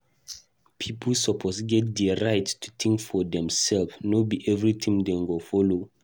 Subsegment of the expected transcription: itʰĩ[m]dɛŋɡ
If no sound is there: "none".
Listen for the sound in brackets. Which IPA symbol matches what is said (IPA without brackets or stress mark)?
m